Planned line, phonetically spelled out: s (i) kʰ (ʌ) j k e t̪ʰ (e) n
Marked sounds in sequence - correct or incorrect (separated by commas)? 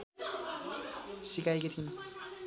correct, incorrect, incorrect